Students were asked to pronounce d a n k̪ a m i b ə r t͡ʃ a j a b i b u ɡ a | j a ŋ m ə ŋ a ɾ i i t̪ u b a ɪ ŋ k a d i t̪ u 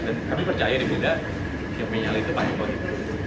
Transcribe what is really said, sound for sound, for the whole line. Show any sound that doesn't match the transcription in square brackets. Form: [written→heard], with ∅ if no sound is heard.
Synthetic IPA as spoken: d a n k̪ a m i [b→p] ə r t͡ʃ a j a [b→d] i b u [ɡ→d] a | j a ŋ m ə [ŋ→ɲ] a [ɾ→l] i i t̪ u [b→p] a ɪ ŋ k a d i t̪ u